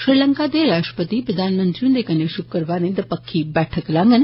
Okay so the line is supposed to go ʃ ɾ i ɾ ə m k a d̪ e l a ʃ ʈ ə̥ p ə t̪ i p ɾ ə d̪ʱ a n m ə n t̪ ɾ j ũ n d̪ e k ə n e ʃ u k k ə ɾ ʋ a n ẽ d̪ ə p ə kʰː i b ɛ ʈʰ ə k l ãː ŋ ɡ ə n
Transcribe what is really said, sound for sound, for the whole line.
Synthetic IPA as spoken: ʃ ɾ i l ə ŋ k a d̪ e ɾ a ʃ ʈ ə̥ p ə t̪ i p ɾ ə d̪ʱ a n m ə n t̪ ɾ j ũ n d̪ e k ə n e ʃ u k k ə ɾ ʋ a n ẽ d̪ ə p ə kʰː i b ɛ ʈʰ ə k l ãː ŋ ɡ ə n